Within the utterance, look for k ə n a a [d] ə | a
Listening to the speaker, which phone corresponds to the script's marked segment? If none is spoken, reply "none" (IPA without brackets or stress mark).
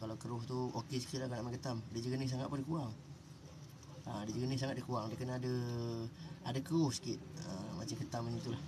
d